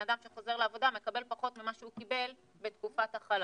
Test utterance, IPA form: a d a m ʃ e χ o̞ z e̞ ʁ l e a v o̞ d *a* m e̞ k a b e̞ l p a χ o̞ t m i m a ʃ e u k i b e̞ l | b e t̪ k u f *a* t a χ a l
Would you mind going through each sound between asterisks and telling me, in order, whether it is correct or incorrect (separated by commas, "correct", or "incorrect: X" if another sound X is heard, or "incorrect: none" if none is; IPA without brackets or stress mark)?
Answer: correct, correct